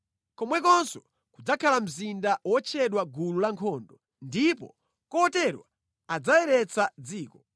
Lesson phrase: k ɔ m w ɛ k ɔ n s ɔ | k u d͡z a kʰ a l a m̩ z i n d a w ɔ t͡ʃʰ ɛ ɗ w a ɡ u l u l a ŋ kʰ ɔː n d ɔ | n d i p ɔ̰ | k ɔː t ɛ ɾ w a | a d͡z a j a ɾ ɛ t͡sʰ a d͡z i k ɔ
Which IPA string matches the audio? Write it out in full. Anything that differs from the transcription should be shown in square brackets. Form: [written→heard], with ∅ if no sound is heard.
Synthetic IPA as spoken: k ɔ m w ɛ k ɔ n s ɔ | k u d͡z a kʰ a l a m̩ z i n d a w ɔ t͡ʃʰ ɛ ɗ w a ɡ u l u l a ŋ kʰ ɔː n d ɔ | n d i p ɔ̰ | k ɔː t ɛ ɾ w a | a d͡z a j [a→ɛ] ɾ ɛ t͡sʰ a d͡z [i→iː] k ɔ